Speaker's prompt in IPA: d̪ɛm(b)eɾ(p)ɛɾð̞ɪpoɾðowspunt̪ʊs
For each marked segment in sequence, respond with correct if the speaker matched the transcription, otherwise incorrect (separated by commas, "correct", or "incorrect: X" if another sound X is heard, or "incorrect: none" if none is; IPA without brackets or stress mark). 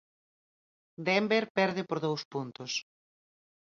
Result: correct, correct